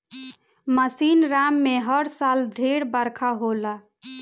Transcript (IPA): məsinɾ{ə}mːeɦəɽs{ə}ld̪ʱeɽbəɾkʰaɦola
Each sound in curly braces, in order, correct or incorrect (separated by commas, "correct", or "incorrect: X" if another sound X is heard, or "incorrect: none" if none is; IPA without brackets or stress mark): incorrect: a, incorrect: a